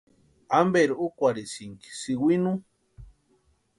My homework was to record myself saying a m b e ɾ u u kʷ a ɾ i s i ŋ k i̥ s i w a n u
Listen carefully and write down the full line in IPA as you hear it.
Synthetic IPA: a m b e ɾ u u kʷ a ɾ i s i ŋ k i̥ s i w i n u